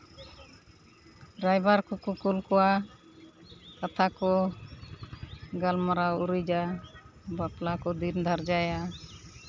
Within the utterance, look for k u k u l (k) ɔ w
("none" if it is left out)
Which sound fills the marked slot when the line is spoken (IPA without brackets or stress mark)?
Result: k